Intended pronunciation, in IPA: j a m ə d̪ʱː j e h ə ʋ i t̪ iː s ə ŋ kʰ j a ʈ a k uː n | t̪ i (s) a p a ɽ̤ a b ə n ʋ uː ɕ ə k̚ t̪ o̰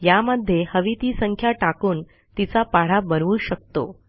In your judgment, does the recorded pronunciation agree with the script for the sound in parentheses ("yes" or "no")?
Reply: no